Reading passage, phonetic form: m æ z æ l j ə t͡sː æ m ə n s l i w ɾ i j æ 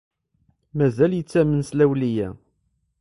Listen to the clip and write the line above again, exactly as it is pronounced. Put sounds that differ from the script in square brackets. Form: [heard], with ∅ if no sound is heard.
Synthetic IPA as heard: m æ z æ l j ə t͡sː æ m ə n s l [æ] w [l] i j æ